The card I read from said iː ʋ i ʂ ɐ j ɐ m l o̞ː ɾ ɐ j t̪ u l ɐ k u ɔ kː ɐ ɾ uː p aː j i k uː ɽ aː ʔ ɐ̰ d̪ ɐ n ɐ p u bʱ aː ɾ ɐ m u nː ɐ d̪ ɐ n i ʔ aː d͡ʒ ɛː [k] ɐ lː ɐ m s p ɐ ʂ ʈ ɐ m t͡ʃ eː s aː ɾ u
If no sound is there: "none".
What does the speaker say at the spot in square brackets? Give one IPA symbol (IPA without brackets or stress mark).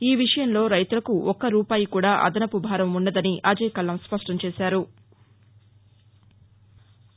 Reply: k